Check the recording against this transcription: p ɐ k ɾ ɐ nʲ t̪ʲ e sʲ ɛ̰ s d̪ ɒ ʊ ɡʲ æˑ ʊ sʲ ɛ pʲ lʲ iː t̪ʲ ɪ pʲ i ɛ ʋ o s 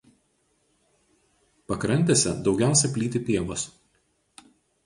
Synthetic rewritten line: p ɐ k ɾ ɐ nʲ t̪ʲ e sʲ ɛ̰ d̪ ɒ ʊ ɡʲ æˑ ʊ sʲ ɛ pʲ lʲ iː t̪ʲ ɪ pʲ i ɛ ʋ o s